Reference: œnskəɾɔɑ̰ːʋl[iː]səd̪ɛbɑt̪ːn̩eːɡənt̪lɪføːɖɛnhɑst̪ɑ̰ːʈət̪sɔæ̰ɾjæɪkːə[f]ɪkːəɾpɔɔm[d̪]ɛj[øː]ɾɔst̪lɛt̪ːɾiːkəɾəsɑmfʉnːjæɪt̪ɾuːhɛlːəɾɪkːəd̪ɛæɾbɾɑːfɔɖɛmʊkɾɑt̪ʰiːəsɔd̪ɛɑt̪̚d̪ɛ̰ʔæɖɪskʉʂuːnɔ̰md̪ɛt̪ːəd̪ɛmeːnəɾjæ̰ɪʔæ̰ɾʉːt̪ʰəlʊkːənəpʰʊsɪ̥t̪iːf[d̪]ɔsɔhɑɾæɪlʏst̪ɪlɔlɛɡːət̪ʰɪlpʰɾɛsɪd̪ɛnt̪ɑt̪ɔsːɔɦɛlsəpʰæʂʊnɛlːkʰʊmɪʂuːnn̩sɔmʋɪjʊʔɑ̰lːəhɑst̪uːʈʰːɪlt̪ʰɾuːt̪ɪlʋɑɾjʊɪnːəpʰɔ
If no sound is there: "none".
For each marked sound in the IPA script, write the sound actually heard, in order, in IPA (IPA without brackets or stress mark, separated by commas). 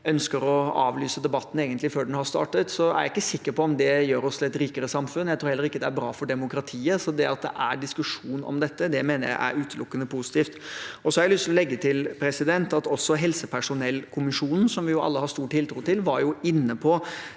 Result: yː, s, d̪, øː, t̪